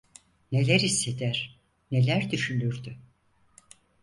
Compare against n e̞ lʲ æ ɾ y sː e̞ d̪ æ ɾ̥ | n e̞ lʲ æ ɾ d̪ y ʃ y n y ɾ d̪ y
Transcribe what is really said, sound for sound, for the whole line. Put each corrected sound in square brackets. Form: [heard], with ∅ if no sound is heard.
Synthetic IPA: n e̞ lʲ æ ɾ [i] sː e̞ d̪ æ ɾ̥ | n e̞ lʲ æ ɾ d̪ y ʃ y n y ɾ d̪ y

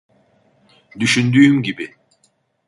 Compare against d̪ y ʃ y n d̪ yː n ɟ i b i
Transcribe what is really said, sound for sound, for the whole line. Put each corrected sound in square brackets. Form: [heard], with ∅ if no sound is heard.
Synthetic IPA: d̪ y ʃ y n d̪ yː [m] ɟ i b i

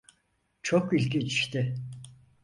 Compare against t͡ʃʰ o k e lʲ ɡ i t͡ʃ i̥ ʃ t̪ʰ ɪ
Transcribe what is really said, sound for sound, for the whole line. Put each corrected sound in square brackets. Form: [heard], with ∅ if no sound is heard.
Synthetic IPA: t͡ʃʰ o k [i] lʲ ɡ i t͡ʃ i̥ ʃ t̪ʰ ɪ

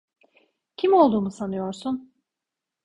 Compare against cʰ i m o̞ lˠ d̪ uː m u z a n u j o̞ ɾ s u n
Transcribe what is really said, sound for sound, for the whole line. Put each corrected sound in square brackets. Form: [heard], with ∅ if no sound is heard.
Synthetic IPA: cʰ i m o̞ lˠ d̪ uː m u [s] a n [ɯ] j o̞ ɾ s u n

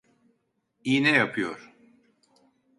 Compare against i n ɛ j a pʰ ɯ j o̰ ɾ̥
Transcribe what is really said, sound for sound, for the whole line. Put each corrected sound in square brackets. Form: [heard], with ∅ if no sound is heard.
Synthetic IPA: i n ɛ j a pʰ ɯ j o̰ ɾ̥

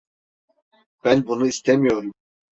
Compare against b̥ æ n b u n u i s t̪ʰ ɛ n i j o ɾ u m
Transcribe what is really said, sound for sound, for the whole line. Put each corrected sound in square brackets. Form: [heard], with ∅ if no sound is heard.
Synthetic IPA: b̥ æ n b u n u i s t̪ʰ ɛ [m] i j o ɾ u m

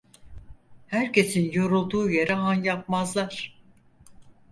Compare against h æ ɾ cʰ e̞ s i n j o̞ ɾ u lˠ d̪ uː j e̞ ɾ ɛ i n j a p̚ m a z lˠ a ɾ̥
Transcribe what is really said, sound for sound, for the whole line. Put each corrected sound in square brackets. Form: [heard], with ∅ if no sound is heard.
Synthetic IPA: h æ ɾ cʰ e̞ s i n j o̞ ɾ u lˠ d̪ uː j e̞ ɾ ɛ [a] n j a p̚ m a z lˠ a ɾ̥

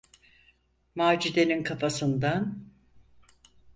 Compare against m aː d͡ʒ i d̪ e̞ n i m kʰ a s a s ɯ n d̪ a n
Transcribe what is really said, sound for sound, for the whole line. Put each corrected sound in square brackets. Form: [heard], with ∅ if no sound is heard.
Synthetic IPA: m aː d͡ʒ i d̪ e̞ n i [n] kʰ a [f] a s ɯ n d̪ a n

